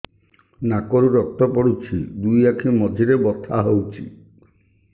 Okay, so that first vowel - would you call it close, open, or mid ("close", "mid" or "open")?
open